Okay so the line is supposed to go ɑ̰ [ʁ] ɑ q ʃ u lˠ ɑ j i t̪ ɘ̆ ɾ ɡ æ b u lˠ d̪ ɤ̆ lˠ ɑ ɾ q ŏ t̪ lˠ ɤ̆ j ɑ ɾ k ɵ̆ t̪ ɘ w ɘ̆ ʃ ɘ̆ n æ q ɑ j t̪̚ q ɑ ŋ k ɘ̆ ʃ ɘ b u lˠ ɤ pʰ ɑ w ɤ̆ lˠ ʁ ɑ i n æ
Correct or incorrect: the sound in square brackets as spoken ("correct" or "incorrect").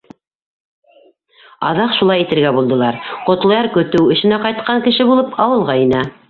incorrect